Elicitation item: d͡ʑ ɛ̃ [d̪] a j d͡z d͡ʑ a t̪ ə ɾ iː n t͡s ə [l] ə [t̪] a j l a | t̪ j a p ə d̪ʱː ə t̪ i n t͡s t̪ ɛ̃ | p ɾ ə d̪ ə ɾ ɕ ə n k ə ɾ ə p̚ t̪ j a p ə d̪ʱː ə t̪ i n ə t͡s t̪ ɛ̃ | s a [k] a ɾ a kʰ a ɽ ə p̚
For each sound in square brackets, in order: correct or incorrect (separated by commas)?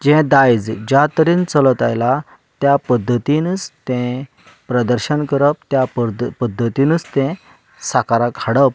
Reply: correct, correct, correct, correct